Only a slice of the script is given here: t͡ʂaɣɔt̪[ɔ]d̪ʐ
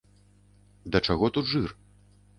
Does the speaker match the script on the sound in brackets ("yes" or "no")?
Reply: no